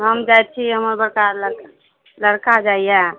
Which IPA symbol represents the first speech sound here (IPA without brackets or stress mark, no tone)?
ɦ